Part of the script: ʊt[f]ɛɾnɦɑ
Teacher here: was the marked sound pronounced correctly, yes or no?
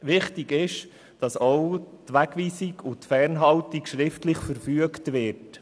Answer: yes